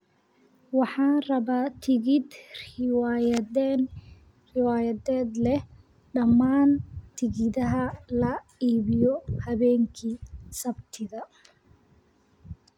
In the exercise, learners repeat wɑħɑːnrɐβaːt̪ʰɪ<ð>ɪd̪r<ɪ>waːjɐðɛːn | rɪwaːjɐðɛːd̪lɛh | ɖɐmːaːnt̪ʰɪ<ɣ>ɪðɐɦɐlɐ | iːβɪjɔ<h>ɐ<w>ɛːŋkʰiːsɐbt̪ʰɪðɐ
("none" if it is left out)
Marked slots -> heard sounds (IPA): ɣ, ɪ, ɣ, h, β

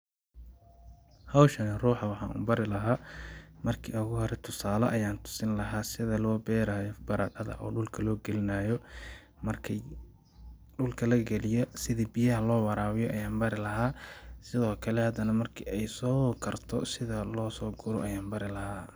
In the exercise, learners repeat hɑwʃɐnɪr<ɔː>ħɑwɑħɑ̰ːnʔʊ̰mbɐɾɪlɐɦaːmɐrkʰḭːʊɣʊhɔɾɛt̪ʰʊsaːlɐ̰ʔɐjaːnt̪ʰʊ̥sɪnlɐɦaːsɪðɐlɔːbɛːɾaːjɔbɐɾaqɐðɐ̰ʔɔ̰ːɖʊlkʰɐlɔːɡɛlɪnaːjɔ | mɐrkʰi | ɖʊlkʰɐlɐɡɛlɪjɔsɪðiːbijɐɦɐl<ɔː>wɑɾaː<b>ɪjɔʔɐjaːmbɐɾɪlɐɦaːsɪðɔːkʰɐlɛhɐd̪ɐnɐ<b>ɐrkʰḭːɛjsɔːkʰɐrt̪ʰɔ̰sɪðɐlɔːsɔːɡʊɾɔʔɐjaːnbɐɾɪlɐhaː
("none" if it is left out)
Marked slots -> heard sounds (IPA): uː, ɔː, w, m

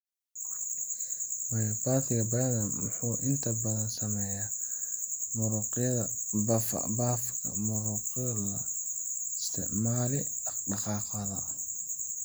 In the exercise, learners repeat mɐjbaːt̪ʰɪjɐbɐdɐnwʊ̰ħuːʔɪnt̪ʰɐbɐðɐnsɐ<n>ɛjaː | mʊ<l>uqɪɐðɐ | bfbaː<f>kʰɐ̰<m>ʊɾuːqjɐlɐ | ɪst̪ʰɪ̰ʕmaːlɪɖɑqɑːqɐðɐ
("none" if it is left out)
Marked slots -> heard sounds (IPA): m, ɾ, f, m

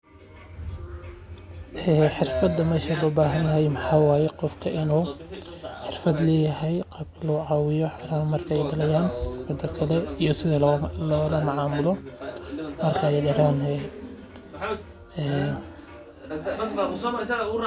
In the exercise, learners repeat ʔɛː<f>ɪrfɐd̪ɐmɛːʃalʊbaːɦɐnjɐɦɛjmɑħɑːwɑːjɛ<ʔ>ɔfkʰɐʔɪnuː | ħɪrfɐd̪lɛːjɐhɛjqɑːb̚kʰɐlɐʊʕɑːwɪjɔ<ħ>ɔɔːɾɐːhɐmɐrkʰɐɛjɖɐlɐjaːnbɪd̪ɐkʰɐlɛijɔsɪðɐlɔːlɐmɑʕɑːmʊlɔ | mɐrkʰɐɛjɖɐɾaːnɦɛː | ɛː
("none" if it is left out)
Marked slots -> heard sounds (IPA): ħ, q, ħ

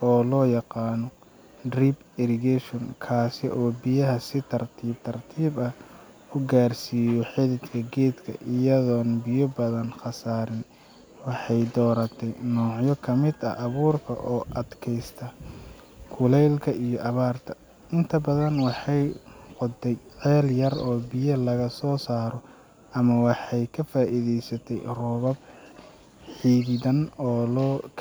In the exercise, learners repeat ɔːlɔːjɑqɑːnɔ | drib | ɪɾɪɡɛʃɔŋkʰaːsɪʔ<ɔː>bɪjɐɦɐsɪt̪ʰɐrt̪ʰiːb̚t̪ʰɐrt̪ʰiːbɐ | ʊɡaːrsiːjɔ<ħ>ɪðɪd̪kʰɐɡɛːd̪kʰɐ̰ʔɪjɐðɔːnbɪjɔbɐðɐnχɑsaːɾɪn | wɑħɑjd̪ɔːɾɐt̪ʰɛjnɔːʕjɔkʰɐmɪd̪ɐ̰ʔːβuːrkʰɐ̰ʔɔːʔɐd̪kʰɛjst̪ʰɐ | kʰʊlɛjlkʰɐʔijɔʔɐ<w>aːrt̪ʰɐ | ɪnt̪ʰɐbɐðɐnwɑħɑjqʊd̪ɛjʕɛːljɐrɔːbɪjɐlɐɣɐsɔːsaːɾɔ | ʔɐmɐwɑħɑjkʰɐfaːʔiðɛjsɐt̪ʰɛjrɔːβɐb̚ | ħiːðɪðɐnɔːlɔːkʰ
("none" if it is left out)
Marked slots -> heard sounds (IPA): ɔː, ħ, β

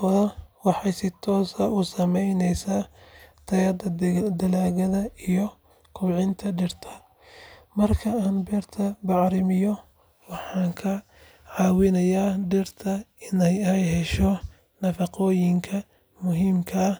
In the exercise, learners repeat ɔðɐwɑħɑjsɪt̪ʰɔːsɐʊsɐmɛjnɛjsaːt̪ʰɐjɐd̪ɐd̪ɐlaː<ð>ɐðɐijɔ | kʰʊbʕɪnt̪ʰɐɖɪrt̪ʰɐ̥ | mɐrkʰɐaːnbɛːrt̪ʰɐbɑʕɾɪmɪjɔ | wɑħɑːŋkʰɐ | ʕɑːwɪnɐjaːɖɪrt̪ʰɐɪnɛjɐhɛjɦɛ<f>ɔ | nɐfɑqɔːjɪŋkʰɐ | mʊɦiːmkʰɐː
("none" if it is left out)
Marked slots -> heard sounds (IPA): ɣ, ʃ

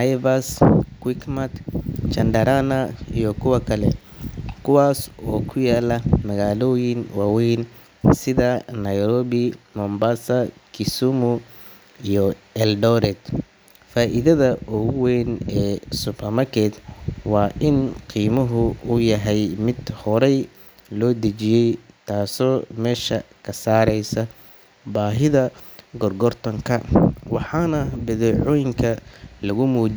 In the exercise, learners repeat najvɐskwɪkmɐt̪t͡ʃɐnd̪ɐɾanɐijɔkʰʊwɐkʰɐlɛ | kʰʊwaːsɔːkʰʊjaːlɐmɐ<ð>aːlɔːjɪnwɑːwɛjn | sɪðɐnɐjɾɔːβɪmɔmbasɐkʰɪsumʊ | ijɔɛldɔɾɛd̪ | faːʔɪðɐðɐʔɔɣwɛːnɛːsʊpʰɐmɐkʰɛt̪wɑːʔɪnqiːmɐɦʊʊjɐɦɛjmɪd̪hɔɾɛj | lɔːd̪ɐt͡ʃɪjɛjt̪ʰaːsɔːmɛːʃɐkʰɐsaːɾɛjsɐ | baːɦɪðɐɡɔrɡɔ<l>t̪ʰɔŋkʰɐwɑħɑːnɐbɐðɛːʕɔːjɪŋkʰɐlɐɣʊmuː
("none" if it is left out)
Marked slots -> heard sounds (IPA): ɣ, r

